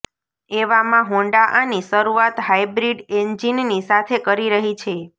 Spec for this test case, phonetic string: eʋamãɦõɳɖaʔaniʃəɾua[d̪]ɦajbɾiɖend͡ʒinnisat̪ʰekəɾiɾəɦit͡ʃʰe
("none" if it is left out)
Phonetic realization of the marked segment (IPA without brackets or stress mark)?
t̪